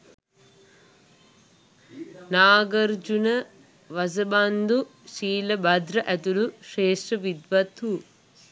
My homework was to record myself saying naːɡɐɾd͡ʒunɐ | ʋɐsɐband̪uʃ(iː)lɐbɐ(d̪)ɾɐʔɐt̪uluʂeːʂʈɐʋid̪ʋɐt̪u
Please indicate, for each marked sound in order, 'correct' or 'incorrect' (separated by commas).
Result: correct, correct